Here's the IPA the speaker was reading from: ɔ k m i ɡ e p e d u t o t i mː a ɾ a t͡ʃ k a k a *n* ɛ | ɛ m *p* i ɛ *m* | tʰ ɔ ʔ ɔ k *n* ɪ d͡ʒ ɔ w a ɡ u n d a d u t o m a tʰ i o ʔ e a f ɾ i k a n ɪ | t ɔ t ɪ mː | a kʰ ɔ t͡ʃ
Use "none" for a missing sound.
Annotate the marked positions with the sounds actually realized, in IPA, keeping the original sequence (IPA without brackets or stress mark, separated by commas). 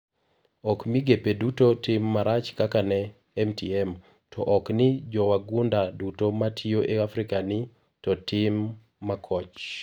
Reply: n, t, m, n